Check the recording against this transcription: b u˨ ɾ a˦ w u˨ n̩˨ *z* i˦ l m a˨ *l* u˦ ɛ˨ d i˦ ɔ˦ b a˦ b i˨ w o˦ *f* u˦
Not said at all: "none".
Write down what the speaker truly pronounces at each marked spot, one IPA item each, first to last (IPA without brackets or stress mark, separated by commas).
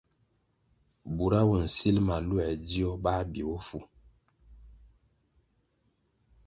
s, l, f